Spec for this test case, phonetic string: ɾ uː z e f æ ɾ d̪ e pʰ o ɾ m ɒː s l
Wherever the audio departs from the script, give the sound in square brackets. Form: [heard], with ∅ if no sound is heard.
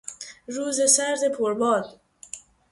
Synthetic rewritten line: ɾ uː z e [s] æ ɾ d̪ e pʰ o ɾ [b] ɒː [∅] l